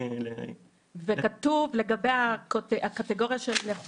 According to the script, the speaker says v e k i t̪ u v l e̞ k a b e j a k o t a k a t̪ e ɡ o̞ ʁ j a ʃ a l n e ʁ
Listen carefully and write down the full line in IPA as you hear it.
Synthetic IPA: v e k a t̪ u v l e̞ ɡ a b e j a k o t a k a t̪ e ɡ o̞ ʁ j a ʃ e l n e χ